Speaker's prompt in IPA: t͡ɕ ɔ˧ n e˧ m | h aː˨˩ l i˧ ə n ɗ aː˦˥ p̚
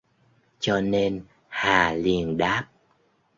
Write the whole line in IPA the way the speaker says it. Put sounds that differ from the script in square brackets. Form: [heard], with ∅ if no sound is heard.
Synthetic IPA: t͡ɕ ɔ˧ n e˧ [n] | h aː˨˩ l [i˨˩] ə n ɗ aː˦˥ p̚